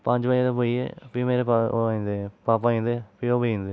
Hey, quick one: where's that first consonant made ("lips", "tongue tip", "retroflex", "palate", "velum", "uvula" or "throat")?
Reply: lips